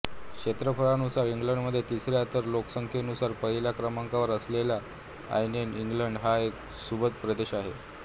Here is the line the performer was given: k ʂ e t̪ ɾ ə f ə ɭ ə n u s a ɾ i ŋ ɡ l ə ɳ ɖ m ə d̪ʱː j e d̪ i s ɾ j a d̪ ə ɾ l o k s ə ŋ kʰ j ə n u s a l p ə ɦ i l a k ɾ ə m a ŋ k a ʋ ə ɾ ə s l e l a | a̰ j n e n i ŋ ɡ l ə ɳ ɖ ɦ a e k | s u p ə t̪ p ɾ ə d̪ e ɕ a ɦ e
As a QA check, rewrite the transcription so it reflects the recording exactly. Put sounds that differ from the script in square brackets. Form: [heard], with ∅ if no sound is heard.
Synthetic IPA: k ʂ e t̪ ɾ ə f ə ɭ [a] n u s a ɾ i ŋ ɡ l ə ɳ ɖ m ə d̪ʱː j e [t̪] i s ɾ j a [t̪] ə ɾ l o k s ə ŋ kʰ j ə n u s a [ɾ] p ə ɦ i l a k ɾ ə m a ŋ k a ʋ ə ɾ ə s l e l a | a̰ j n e n i ŋ ɡ l ə ɳ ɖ ɦ a e k | s u [b] ə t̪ p ɾ ə d̪ e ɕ a ɦ e